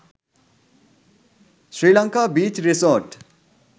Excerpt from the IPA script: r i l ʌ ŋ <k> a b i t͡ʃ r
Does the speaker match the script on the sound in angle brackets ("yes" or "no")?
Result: yes